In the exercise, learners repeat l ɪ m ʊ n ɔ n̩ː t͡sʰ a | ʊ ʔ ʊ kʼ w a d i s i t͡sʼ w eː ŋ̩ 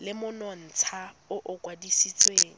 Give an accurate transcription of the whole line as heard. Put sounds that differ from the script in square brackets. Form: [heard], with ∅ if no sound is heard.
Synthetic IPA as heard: l ɪ m ʊ n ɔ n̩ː t͡sʰ a | ʊ ʔ ʊ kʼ w a d i s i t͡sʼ w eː ŋ̩